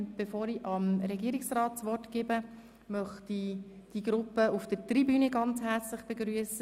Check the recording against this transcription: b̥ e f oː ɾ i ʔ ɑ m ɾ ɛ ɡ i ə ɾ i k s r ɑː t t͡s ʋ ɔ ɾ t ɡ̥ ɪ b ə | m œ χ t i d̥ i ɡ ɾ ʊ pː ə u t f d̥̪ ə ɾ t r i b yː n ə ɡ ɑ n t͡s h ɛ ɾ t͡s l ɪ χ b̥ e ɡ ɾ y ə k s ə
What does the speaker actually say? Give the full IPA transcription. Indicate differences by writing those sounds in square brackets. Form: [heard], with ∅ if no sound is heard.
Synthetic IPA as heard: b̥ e f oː ɾ i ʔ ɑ m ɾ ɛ ɡ i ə ɾ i k s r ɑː t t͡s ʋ ɔ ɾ t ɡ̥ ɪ b ə | m œ χ t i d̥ i ɡ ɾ ʊ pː ə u [∅] f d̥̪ ə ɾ t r i b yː n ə ɡ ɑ n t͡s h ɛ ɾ t͡s l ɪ χ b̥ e ɡ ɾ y ə [∅] s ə

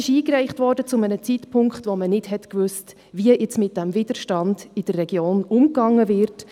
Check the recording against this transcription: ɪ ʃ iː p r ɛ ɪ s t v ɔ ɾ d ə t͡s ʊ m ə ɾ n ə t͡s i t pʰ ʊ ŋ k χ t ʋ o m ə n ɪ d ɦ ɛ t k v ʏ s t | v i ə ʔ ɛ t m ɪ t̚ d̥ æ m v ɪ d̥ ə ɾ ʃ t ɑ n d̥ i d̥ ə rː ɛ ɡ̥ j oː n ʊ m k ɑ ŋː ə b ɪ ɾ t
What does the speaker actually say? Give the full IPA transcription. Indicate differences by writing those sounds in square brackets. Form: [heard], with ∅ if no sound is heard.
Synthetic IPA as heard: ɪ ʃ iː [k] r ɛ ɪ [χ] t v ɔ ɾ d ə t͡s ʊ m ə [∅] n ə t͡s i t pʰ ʊ ŋ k χ t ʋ o m ə n ɪ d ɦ ɛ t k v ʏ s t | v i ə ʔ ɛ [t͡s] m ɪ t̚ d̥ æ m v ɪ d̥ ə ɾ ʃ t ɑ n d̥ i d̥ ə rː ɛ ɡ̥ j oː n ʊ m k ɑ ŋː ə [v] ɪ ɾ t

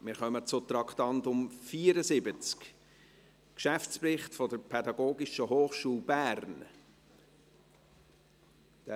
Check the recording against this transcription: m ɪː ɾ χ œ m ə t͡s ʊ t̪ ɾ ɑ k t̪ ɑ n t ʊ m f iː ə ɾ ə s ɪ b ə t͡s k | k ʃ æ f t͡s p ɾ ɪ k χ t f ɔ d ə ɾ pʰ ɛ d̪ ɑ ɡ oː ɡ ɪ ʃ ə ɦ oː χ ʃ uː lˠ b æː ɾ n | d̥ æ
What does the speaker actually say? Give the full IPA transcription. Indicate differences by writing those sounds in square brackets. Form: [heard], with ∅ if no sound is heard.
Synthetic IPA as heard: m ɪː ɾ χ œ m ə t͡s ʊ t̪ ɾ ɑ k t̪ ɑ n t ʊ m f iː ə ɾ ə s ɪ b ə t͡s k | k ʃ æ f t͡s p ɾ ɪ [∅] χ t f ɔ d ə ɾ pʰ ɛ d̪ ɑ ɡ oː ɡ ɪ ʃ ə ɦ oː χ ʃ uː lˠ b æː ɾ n | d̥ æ

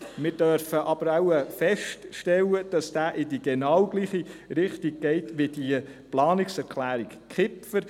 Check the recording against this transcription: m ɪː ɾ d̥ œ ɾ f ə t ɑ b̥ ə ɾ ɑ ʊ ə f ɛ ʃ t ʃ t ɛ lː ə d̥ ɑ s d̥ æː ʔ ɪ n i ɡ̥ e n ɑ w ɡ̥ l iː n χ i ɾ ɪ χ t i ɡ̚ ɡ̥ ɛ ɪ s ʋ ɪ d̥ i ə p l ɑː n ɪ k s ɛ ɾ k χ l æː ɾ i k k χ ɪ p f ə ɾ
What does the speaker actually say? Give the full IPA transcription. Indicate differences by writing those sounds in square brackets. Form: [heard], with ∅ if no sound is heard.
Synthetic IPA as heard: m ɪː ɾ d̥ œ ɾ f ə [ʔ] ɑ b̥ ə ɾ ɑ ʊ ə f ɛ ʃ t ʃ t ɛ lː ə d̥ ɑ s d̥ æː ʔ ɪ [d] i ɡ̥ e n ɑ w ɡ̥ l iː [∅] χ i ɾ ɪ χ t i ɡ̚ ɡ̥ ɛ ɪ [t] ʋ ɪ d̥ i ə p l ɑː n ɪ k s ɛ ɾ k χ l æː ɾ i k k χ ɪ p f ə ɾ

